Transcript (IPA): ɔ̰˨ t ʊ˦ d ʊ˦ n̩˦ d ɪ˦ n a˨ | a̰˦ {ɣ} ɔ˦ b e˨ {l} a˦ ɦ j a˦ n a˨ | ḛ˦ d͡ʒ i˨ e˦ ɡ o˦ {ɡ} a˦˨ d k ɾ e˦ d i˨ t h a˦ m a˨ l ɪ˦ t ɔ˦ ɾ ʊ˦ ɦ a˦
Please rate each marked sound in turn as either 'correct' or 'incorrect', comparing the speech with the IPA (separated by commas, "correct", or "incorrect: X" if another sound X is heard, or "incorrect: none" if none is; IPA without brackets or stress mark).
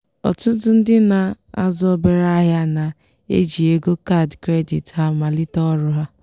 incorrect: z, incorrect: ɾ, incorrect: k